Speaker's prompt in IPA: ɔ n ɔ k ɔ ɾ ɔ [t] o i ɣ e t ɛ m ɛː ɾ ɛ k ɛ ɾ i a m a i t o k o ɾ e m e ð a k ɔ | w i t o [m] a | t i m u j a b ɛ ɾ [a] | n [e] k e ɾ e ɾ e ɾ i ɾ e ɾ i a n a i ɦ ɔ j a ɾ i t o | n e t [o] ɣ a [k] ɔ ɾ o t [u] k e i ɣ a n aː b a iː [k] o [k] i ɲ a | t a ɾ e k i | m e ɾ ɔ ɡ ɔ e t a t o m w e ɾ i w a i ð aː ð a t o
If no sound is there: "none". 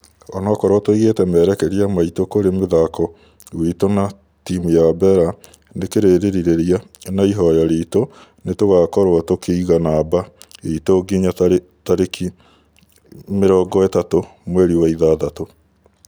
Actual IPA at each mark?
t, n, a, e, o, k, o, t, ɡ

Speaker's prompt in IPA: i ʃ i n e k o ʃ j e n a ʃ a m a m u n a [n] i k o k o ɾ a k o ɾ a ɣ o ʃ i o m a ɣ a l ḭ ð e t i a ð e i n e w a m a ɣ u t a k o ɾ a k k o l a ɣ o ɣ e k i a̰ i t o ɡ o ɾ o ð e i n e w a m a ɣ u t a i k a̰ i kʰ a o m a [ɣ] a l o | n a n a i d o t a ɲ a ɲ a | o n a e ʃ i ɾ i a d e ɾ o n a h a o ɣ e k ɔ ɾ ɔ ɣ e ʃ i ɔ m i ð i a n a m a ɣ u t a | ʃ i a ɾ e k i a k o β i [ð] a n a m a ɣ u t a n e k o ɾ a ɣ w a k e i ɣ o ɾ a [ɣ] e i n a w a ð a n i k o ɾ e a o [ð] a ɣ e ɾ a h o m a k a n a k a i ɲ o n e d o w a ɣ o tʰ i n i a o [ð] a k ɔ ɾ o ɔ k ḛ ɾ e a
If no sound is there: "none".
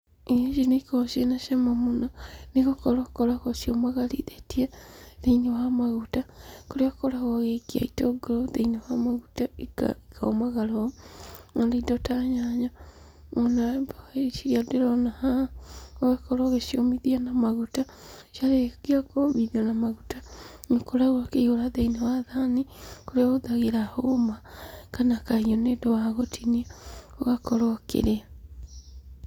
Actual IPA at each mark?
n, ɣ, ð, ð, ð, ɣ

